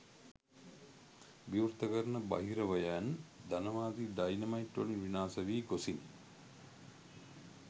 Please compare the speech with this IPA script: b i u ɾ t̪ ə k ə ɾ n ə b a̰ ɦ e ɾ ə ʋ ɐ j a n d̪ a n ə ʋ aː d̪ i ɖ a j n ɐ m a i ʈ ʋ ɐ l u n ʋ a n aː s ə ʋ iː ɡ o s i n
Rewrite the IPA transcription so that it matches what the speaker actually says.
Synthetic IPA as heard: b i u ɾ t̪ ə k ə ɾ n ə b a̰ ɦ i ɾ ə ʋ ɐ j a n d̪ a n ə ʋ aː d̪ i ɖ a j n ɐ m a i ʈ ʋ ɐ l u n ʋ i n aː s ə ʋ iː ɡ o s i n